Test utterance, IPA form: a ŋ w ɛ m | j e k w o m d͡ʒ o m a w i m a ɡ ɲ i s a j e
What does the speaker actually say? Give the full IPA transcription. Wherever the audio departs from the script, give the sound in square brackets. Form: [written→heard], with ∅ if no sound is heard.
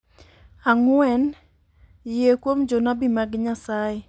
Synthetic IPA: a ŋ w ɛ [m→n] | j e k w o m d͡ʒ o [m→n] a [w→b] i m a ɡ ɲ [i→a] s a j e